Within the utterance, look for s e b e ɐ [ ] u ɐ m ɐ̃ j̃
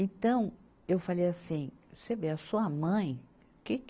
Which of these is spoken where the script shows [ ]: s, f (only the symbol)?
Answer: s